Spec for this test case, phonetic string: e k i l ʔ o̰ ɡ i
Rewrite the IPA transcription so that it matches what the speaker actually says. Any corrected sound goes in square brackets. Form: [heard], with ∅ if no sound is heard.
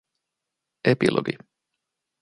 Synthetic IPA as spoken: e [p] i l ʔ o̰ ɡ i